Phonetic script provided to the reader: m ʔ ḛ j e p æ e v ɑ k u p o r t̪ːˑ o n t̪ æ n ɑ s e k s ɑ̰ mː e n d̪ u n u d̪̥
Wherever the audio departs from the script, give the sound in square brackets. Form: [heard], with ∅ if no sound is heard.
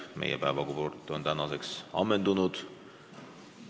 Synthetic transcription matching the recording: m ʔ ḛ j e p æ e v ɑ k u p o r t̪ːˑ o n t̪ æ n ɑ s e k s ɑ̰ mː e n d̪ u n u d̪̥